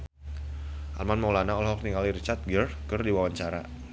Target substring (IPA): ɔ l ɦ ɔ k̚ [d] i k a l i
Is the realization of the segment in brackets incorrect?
yes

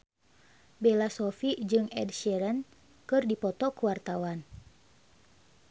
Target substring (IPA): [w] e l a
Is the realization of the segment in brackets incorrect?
yes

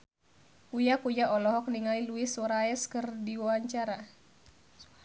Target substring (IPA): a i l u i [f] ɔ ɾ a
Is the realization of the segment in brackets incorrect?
yes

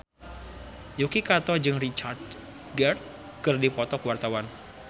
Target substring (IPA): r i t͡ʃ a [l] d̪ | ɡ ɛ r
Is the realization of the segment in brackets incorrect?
yes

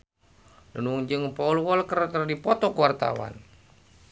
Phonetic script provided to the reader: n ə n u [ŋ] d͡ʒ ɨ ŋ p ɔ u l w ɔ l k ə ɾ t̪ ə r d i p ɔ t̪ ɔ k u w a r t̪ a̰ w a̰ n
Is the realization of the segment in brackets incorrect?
no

